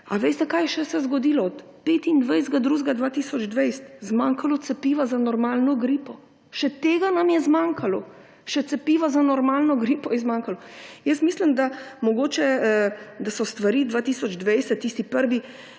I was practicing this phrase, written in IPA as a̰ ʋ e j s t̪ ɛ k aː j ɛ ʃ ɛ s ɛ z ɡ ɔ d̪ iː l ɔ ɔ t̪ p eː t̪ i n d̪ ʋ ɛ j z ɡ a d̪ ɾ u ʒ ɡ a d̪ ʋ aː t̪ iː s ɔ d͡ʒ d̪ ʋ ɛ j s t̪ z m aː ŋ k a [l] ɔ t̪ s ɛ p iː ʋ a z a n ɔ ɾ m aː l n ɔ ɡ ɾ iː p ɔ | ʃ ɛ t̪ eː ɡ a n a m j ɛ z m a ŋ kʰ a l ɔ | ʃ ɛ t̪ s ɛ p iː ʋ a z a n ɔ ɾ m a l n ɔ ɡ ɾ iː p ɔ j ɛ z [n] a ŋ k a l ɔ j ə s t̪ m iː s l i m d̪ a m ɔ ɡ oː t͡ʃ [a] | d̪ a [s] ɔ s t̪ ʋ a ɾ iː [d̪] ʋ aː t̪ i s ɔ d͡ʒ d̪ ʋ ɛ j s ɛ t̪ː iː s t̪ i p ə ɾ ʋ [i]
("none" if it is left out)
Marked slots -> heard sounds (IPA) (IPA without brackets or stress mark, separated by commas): l, m, ɛ, s, d̪, i